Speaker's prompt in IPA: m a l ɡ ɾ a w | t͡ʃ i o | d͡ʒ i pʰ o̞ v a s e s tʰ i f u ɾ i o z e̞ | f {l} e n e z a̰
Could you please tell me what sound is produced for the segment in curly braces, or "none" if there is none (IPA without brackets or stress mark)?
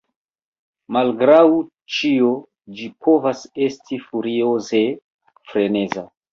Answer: ɾ